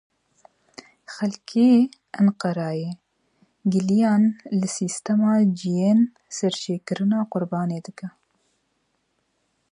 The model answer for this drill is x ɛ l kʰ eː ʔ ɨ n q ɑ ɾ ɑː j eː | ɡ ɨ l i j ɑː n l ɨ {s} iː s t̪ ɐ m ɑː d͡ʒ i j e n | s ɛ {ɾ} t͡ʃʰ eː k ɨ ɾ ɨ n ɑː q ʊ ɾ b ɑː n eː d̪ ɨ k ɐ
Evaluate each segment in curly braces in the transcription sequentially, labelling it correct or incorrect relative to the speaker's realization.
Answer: correct, correct

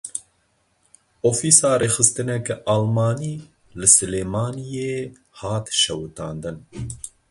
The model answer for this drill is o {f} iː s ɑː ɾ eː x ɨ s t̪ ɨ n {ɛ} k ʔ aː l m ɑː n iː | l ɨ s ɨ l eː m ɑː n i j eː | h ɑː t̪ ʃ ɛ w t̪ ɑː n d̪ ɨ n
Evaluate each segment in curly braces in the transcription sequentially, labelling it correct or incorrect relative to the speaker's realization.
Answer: correct, correct

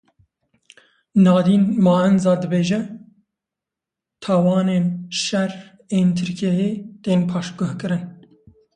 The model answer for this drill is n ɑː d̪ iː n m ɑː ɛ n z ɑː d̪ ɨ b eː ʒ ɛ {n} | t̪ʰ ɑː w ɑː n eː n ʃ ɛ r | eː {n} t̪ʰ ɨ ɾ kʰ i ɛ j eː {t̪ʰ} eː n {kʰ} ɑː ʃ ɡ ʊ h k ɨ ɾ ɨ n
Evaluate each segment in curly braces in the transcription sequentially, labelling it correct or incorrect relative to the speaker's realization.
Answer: incorrect, correct, incorrect, incorrect

